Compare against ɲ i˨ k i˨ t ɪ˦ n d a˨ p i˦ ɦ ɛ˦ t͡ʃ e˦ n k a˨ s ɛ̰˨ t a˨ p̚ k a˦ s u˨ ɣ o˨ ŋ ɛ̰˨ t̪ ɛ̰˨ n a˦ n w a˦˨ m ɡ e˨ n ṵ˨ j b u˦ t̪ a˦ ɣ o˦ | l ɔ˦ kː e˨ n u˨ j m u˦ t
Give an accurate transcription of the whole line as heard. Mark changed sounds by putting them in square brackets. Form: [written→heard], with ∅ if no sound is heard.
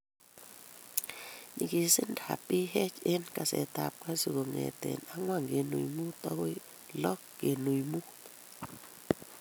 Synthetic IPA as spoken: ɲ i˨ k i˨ [t→s] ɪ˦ n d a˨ p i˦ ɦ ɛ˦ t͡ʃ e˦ n k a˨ s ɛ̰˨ t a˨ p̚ k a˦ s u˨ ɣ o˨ ŋ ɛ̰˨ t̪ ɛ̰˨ n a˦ [n→ŋ] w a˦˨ [m→ŋ] ɡ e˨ n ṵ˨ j [b→m] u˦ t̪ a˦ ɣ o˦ | l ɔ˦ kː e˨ n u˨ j m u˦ t